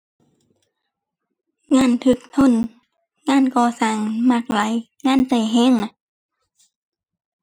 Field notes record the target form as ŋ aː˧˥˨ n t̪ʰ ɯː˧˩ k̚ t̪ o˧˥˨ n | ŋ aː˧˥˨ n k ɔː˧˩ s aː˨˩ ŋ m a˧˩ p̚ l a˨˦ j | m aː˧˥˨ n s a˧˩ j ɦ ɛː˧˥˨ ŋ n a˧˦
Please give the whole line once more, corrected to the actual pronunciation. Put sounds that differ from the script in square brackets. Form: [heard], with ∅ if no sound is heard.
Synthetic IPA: ŋ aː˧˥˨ n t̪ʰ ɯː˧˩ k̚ [t̪ʰ] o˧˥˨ n | ŋ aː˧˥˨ n k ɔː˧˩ s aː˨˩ ŋ m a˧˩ [k̚] l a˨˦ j | [ŋ] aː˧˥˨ n s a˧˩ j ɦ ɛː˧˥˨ ŋ n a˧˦